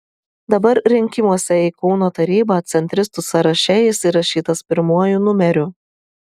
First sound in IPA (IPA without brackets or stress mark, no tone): d̪